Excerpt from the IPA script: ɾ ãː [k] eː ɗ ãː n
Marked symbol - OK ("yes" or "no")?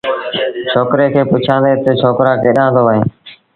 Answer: yes